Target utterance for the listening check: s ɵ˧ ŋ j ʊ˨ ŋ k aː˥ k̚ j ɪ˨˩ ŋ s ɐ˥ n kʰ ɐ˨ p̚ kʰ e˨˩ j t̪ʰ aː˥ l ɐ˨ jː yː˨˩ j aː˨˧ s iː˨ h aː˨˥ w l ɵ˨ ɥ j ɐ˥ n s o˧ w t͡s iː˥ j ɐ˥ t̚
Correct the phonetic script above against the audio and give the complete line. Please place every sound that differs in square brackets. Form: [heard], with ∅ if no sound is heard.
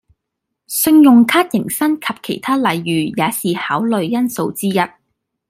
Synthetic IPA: s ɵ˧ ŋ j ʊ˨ ŋ [kʰ] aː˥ [t̚] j ɪ˨˩ ŋ s ɐ˥ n kʰ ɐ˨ p̚ kʰ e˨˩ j t̪ʰ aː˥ l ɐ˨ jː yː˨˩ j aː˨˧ s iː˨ h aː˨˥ w l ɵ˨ ɥ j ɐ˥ n s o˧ w t͡s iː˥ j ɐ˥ t̚